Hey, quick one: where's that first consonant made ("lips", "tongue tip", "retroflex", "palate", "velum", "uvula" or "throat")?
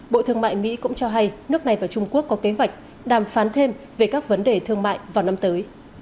lips